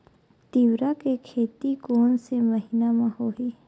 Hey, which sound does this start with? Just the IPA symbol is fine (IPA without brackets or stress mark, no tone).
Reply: t̪